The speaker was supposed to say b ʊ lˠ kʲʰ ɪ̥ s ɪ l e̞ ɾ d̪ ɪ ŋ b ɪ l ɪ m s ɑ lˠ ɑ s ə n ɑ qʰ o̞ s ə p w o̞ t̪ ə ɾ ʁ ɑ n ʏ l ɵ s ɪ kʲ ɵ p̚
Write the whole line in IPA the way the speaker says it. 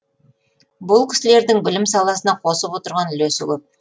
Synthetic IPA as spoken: b ʊ lˠ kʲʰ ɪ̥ s ɪ l e̞ ɾ d̪ ɪ ŋ b ɪ l ɪ m s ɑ lˠ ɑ s ə n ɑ qʰ o̞ s ə p w o̞ t̪ ə ɾ ʁ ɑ n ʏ l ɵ s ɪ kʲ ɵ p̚